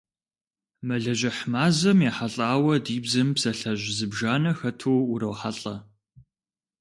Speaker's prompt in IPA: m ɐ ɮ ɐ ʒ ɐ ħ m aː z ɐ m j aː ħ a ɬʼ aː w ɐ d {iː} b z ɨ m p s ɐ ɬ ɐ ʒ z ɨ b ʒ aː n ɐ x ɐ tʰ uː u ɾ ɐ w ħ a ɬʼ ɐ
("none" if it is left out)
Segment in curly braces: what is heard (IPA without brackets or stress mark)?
iː